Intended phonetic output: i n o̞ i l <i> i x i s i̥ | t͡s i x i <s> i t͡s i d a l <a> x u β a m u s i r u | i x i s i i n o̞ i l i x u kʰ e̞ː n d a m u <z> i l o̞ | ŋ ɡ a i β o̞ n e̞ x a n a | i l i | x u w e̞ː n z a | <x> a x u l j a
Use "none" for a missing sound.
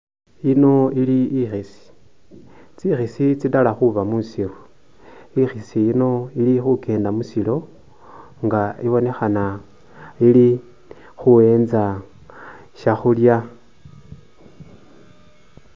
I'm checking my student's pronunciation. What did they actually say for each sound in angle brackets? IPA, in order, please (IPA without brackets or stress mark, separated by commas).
i, s, a, s, ʃ